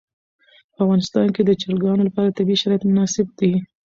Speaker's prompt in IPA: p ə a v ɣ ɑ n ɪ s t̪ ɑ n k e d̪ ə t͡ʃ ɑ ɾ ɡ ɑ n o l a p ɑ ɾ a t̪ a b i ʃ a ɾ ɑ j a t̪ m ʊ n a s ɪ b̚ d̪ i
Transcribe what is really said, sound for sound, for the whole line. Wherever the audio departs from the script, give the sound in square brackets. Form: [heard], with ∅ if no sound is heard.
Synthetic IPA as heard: p ə a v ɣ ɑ n ɪ s t̪ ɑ n k e d̪ ə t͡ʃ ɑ ɾ ɡ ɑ n o l a p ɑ ɾ a t̪ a b i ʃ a ɾ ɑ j a t̪ m ʊ n [ɑ] s ɪ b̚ d̪ i